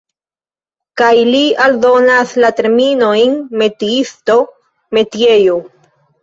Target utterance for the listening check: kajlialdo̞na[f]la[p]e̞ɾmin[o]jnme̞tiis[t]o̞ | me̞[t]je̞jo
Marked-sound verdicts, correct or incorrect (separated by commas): incorrect, incorrect, correct, correct, correct